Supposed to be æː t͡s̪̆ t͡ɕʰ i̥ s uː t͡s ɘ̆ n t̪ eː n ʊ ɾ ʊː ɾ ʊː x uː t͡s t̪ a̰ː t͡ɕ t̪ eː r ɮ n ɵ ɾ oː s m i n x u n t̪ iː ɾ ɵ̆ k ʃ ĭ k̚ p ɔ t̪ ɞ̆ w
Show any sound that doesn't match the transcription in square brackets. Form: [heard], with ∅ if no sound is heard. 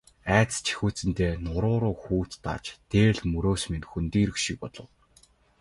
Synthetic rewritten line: æː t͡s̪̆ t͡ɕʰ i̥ [x] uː t͡s ɘ̆ n t̪ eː n ʊ ɾ ʊː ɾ ʊː x uː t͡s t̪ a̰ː t͡ɕ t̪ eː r ɮ [m] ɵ ɾ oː s m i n x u n t̪ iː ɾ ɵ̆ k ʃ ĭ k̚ p ɔ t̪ ɞ̆ w